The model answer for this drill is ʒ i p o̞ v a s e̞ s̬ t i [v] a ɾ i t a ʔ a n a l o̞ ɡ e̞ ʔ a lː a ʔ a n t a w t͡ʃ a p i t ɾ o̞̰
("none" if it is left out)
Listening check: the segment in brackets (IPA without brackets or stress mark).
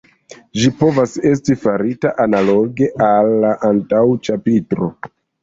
f